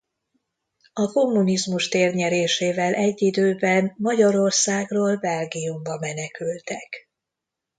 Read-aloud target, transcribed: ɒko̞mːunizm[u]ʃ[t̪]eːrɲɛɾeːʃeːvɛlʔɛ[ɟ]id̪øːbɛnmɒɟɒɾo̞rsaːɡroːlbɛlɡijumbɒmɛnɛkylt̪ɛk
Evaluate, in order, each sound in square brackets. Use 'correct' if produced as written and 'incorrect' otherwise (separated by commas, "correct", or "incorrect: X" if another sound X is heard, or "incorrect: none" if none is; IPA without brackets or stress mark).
correct, correct, incorrect: ɟː